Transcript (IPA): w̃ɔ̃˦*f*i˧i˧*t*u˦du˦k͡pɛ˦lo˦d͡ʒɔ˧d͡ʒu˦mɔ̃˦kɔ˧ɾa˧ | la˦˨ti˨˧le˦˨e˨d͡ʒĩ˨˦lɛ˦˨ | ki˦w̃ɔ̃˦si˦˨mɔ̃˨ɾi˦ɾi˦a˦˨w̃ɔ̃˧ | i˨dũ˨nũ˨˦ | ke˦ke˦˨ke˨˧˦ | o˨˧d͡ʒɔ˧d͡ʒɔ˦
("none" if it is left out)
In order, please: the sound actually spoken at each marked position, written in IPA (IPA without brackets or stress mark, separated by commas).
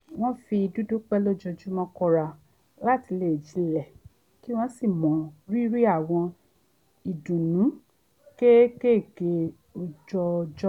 f, d